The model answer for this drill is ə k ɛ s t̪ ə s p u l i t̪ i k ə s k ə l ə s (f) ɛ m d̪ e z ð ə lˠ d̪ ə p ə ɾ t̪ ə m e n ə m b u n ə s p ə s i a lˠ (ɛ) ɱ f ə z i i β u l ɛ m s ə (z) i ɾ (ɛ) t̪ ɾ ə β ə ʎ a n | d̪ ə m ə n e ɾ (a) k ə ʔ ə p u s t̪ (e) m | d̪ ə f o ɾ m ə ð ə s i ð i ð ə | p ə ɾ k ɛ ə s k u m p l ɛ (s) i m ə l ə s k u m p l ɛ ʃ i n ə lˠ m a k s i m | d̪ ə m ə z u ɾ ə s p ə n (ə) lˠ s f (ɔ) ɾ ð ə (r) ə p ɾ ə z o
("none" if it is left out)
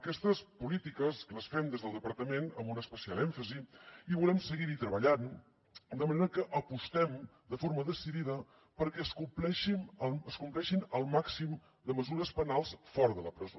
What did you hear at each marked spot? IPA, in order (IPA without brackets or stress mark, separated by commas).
f, ɛ, ɣ, i, ə, ɛ, ʃ, a, ɔ, l